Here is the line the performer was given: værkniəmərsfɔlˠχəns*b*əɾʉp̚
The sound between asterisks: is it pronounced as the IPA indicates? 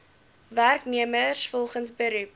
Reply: yes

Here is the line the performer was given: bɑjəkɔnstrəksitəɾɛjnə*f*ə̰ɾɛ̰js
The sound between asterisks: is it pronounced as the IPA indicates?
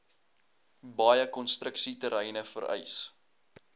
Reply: yes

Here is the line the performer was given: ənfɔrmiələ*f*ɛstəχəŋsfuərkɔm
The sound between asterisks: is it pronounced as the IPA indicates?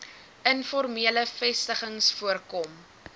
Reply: yes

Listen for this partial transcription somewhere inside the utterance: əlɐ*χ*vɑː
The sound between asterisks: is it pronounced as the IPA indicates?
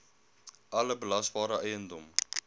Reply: no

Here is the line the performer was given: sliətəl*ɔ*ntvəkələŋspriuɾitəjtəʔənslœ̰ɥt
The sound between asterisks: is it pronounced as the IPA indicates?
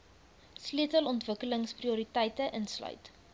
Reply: yes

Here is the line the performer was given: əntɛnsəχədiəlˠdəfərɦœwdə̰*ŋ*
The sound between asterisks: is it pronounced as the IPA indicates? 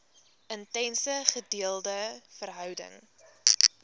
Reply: yes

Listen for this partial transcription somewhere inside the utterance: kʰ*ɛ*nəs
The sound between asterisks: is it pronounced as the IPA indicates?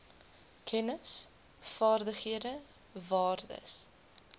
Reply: yes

